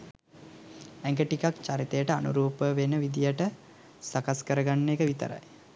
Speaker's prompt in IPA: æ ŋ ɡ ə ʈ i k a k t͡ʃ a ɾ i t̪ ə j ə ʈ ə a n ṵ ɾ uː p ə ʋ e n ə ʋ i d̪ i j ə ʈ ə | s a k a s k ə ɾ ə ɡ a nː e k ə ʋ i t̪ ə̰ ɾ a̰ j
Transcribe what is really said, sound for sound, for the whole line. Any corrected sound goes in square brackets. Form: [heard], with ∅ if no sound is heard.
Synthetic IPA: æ ŋ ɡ ə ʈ i k a k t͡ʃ a ɾ i t̪ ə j ə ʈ ə a n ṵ ɾ uː p ə ʋ e n ə ʋ i d̪ i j ə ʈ ə | s a k a s k ə ɾ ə ɡ a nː e k ə ʋ i t̪ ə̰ ɾ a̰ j